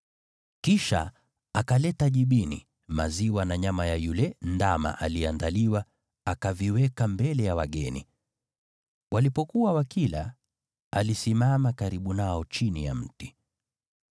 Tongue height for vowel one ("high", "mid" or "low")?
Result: high